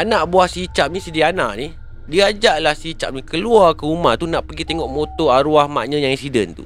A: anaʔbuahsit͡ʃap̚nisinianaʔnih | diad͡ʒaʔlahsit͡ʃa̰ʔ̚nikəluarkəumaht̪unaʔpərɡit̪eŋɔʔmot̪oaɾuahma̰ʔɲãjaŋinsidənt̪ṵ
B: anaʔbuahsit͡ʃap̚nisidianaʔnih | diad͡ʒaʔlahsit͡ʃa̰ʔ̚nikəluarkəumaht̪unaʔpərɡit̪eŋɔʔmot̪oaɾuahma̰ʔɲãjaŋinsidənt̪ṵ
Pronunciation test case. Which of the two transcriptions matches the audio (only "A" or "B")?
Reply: B